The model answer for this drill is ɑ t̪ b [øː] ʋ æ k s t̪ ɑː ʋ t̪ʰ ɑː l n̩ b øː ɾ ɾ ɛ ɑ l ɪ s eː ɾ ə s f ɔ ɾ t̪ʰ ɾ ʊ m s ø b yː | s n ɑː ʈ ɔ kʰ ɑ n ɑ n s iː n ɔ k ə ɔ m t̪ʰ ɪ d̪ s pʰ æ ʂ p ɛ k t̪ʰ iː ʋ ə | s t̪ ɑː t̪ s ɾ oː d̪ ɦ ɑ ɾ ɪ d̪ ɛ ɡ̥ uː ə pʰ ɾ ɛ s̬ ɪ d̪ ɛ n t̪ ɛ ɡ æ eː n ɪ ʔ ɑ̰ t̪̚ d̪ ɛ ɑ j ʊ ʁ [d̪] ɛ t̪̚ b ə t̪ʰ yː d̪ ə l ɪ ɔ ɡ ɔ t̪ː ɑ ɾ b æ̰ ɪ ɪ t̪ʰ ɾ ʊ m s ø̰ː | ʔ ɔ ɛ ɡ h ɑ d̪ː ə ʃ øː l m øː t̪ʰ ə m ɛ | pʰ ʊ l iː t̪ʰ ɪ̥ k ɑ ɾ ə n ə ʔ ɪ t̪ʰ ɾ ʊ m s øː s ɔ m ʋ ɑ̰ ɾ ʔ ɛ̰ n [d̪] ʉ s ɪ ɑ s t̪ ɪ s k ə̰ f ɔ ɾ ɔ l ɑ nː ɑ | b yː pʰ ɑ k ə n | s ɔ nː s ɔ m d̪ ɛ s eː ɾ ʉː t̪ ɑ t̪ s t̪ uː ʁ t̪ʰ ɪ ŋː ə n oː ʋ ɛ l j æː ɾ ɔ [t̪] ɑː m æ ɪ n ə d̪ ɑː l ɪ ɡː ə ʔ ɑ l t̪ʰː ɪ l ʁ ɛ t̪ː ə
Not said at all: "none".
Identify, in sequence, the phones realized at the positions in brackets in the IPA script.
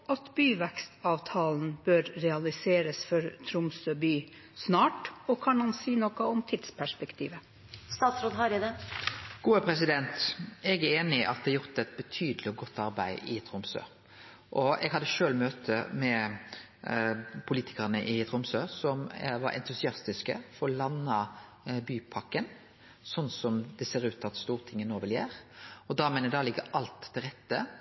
yː, t̪, t̪, d̪

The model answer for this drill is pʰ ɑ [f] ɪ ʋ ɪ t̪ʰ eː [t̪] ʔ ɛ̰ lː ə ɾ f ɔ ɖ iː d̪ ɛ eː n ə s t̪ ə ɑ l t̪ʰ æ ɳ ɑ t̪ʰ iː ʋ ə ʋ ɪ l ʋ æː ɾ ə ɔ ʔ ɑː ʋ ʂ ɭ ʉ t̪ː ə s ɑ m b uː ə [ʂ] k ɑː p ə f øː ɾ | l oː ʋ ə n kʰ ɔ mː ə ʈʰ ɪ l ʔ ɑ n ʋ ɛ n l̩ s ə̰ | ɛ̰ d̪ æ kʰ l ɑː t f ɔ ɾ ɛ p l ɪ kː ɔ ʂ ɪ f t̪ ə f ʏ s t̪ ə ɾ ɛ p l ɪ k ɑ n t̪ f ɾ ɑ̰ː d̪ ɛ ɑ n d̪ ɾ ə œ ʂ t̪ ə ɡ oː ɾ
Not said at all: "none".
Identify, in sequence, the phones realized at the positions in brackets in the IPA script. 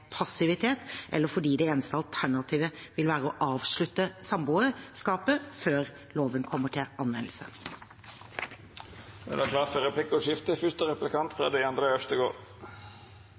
s, t̪, s

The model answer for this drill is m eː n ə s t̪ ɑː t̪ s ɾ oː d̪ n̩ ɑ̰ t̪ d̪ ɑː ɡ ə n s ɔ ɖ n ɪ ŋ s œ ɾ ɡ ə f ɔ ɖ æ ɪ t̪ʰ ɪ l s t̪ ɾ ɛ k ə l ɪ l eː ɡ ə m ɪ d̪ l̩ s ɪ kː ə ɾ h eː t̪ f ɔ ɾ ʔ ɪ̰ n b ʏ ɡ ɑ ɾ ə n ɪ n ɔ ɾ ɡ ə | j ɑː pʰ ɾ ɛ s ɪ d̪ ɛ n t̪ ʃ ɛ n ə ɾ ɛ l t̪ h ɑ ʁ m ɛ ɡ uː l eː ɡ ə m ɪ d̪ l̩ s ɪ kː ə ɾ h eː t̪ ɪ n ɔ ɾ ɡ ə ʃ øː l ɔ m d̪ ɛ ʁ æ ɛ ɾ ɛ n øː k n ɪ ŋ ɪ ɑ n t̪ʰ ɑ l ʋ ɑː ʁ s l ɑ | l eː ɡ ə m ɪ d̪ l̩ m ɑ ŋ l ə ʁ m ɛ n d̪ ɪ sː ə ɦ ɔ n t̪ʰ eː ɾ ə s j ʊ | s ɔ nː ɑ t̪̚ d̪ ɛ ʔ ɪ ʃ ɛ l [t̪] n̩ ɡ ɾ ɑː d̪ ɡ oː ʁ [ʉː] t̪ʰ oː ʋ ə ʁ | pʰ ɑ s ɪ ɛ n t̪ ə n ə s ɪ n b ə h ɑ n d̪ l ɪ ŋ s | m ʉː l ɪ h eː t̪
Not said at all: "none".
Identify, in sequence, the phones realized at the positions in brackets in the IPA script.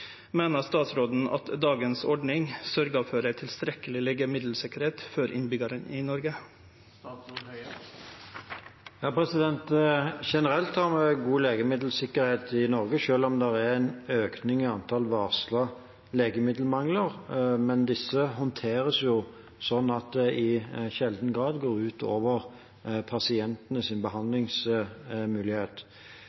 d̪, ʉː

